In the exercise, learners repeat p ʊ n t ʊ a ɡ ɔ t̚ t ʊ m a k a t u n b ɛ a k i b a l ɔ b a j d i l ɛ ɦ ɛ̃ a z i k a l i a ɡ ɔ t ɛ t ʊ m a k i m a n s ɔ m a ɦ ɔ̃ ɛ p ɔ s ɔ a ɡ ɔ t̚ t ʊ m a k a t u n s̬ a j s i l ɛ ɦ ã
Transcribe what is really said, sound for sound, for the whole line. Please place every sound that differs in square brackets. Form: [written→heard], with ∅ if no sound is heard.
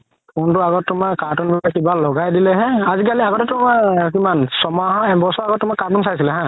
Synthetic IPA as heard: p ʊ n t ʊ a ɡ ɔ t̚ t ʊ m a k a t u n b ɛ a k i b a l ɔ [b→ɡ] a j d i l ɛ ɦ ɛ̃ a z i k a l i a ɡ ɔ t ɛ t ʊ m a k i m a n s ɔ m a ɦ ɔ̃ ɛ [p→b] ɔ s ɔ a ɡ ɔ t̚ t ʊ m a k a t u n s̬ a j s i l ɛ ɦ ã

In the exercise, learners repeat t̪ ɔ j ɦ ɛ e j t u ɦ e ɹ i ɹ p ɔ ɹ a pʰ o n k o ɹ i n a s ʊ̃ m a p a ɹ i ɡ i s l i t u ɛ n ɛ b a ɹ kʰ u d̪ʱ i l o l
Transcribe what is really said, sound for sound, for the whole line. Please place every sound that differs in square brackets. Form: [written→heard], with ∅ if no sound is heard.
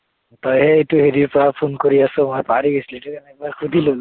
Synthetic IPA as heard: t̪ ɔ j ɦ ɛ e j t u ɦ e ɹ i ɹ p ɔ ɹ a pʰ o n k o ɹ i [n→∅] a s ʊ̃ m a p a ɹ i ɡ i s l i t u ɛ n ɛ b a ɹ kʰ u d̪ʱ i l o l

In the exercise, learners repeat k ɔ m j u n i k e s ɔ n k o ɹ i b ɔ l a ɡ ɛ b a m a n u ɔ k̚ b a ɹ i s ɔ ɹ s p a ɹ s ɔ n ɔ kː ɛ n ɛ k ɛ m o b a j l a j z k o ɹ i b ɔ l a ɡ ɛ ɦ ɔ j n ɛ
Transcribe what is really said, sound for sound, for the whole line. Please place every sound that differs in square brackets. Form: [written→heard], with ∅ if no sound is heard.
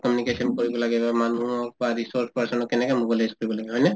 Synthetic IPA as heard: k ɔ m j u n i k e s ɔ n k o ɹ i b ɔ l a ɡ ɛ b a m a n u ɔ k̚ b a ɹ i s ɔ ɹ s p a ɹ s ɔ n ɔ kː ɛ n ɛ k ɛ m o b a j l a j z k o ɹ i b ɔ l a ɡ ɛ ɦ ɔ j n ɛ

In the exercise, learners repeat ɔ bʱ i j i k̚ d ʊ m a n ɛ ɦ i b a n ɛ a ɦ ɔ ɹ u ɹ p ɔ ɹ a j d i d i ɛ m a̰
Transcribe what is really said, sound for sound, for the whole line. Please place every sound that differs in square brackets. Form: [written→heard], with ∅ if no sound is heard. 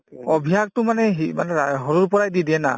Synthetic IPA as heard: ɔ bʱ i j [i→a] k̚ [d→t] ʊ m a n ɛ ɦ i [b→m] a n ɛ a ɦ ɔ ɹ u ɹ p ɔ ɹ a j d i d i ɛ [m→n] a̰

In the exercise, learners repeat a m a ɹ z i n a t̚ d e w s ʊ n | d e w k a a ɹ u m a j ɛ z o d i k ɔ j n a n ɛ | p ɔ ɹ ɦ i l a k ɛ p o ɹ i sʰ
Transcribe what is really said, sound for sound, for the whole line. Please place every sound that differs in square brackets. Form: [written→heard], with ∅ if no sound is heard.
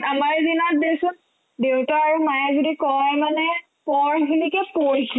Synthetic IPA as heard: a m a ɹ z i n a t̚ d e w s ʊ n | d e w [k→t] a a ɹ u m a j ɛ z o d i k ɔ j [n→m] a n ɛ | p ɔ ɹ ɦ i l [a→i] k ɛ p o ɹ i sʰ

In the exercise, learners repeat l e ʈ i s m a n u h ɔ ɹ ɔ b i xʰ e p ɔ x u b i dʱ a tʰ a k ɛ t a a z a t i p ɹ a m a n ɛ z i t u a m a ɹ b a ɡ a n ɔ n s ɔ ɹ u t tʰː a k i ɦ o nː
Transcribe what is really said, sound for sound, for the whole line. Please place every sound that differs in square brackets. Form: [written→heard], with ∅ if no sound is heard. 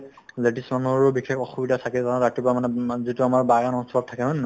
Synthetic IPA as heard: l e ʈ i s m a n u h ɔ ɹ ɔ b i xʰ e [p→k] ɔ x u b i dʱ a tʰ a k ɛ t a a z a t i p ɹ a m a n ɛ z i t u a m a ɹ b a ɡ a n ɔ n s ɔ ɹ [u→ɔ] t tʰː a k [i→ɛ] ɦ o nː

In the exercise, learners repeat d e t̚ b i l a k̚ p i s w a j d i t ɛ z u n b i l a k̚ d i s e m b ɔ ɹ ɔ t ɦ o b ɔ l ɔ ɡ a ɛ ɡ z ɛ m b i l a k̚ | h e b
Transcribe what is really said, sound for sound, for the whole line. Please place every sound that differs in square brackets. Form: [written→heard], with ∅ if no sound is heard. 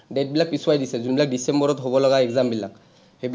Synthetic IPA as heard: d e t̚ b i l a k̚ p i s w a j d i [t→s] ɛ z u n b i l a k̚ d i s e m b ɔ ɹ ɔ t ɦ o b ɔ l ɔ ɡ a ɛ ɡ z [ɛ→a] m b i l a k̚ | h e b

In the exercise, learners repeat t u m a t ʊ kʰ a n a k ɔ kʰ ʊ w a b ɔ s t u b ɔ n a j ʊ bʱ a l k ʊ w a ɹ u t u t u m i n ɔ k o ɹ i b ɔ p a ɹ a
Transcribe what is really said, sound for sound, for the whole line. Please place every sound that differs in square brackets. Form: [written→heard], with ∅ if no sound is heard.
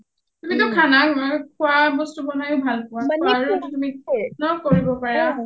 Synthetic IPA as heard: t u m [a→i] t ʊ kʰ a n a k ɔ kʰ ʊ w a b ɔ s t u b ɔ n a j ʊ bʱ a l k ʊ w a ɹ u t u t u m i n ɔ k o ɹ i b ɔ p a ɹ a

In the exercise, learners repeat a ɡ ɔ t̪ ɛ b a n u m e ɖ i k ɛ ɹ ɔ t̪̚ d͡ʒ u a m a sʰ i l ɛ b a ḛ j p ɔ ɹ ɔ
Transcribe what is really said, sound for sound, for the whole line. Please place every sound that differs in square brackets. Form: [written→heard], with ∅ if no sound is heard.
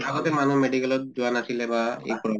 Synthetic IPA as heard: a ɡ ɔ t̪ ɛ [b→m] a n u m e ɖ i k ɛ [ɹ→l] ɔ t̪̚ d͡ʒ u a [m→n] a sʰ i l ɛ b a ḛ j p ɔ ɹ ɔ

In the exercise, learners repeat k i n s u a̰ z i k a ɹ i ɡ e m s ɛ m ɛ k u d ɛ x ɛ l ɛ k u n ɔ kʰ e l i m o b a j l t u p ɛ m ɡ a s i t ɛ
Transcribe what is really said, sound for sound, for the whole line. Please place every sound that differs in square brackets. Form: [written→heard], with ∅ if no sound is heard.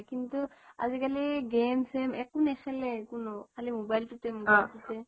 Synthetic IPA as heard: k i n [s→t] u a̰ z i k a [ɹ→l] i ɡ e m s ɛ m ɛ k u [d→n] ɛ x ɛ l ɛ k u n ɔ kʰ [e→a] l i m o b a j l t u [p→t] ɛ m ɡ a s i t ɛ

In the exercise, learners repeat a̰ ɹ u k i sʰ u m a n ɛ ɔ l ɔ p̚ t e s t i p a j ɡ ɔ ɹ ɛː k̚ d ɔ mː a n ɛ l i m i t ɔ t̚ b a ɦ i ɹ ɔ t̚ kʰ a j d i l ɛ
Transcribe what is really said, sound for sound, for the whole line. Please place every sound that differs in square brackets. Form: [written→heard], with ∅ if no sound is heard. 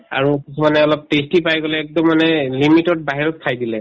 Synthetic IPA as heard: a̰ ɹ u k i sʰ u m a n ɛ ɔ l ɔ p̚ t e s t i p a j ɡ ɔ [ɹ→l] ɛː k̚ d ɔ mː a n ɛ l i m i t ɔ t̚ b a ɦ i ɹ ɔ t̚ kʰ a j d i l ɛ

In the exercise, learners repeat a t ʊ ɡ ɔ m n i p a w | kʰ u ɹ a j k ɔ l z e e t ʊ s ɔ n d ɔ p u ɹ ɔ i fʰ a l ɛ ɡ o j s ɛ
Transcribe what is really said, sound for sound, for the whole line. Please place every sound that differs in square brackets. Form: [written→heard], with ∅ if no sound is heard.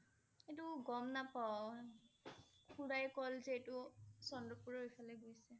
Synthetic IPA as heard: [a→e] t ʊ ɡ ɔ m n [i→a] p a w | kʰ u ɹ a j k ɔ l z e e t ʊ s ɔ n d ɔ p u ɹ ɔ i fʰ a l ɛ ɡ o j s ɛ

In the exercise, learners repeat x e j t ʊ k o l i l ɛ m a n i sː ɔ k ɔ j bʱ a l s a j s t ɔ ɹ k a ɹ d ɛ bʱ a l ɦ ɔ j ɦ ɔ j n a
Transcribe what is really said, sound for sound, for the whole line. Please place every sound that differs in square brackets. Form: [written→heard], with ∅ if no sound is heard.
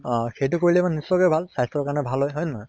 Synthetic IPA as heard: x e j t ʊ k o [l→ɹ] i l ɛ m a n i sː ɔ k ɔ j bʱ a l s a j s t ɔ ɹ k a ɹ [d→n] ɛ bʱ a l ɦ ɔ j ɦ ɔ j n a

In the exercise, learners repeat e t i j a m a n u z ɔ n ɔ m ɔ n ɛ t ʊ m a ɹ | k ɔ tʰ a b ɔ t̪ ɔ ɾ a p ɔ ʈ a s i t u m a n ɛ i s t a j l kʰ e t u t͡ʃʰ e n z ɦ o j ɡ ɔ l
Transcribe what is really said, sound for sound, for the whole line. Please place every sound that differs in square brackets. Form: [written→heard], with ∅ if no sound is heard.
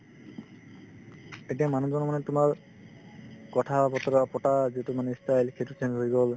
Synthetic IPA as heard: e t i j a m a n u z ɔ n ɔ m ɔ n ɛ t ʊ m a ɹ | k ɔ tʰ a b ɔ t̪ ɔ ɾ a p ɔ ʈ a [s→z] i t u m a n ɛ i s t a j l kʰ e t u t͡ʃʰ e n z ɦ o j ɡ ɔ l

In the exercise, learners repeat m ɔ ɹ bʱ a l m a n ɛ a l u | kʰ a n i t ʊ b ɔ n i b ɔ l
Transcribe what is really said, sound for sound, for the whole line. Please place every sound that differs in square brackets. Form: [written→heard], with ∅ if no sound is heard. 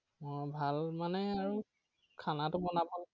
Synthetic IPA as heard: m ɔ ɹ bʱ a l m a n ɛ a [l→ɹ] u | kʰ a n [i→a] t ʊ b ɔ n [i→a] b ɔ l

